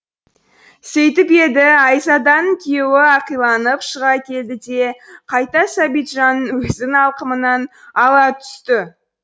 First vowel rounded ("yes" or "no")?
no